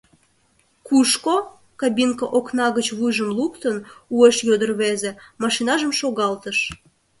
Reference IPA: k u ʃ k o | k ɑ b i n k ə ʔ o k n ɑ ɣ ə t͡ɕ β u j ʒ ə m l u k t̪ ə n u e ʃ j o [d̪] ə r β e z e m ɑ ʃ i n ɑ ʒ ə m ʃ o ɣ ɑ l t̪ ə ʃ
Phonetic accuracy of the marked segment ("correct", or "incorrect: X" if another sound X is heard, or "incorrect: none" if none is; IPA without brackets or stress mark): correct